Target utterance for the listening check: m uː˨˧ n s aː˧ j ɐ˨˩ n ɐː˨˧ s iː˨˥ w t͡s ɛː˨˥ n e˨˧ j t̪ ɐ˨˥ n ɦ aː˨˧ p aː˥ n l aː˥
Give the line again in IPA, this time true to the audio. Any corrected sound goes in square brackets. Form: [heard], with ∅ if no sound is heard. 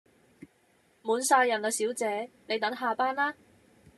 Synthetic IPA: m uː˨˧ n s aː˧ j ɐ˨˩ n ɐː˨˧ s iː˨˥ w t͡s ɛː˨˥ n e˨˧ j t̪ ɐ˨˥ [ŋ] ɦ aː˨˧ p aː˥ n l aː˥